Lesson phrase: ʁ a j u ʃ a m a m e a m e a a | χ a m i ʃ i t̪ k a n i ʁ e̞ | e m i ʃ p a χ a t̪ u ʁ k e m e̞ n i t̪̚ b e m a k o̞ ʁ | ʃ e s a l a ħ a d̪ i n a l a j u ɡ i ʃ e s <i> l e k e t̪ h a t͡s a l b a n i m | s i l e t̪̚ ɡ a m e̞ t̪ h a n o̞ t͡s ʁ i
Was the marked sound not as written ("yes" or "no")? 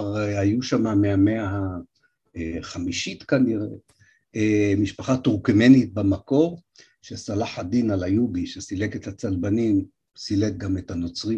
no